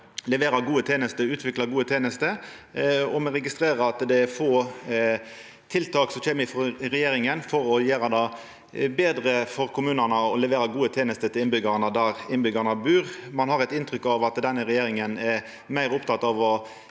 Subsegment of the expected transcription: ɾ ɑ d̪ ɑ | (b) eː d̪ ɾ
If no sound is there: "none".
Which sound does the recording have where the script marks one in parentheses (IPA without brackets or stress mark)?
b